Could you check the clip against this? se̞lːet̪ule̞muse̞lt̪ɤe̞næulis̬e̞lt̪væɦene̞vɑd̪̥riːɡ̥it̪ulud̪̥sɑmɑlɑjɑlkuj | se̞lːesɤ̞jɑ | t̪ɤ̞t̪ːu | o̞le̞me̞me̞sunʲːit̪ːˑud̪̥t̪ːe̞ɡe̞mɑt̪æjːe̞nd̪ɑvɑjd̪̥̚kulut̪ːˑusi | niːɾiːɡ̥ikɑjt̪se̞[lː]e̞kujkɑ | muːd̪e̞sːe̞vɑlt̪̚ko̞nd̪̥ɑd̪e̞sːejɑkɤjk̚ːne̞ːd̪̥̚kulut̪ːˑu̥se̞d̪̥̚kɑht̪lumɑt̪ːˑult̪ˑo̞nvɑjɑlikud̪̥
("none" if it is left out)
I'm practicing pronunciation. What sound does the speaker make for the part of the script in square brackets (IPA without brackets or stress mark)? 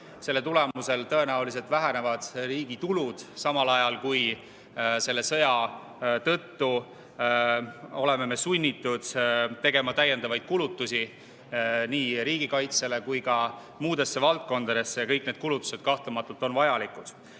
l